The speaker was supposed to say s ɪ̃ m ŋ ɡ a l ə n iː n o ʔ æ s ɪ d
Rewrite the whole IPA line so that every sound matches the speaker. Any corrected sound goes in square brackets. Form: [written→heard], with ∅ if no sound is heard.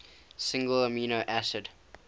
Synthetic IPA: s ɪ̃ [m→∅] ŋ ɡ [a→ə] l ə [n→m] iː n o ʔ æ s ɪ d